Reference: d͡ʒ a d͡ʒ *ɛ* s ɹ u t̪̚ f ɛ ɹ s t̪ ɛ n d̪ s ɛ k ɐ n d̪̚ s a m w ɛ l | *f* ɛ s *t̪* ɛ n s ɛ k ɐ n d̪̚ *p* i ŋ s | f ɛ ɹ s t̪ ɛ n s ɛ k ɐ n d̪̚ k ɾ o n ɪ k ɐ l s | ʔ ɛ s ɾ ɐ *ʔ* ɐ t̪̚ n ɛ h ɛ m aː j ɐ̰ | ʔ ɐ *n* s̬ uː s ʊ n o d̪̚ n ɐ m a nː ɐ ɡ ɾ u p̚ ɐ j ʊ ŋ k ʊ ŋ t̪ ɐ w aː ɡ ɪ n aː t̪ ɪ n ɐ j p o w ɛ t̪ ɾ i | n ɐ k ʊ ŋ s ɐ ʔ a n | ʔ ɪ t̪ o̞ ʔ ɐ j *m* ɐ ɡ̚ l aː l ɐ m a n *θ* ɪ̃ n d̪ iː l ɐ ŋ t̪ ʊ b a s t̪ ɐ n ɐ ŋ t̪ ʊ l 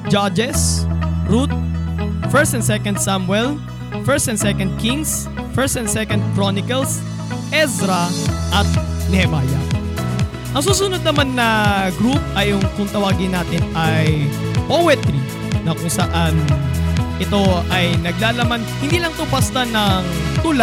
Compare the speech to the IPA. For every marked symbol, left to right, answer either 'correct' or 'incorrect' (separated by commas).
correct, correct, correct, incorrect, correct, incorrect, incorrect, incorrect